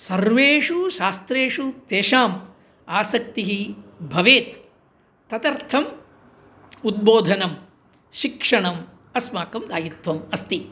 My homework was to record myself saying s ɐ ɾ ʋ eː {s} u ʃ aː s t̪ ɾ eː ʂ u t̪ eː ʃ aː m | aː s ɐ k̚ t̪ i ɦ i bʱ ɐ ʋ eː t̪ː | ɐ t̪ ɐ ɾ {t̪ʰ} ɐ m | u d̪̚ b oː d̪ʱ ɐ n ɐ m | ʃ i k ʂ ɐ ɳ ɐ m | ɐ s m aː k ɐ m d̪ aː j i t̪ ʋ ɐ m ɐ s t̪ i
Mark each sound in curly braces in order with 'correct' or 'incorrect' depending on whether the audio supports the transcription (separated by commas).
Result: incorrect, correct